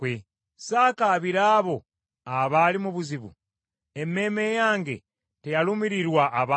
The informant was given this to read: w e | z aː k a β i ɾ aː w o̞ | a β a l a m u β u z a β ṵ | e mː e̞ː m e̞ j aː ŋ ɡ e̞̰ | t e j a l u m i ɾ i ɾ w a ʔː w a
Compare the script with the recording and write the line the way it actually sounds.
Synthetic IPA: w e | s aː k a β i ɾ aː β o̞ | a β a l i m u β u z i β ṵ | e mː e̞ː m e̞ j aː ŋ ɡ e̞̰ | t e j a l u m i ɾ i ɾ w a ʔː β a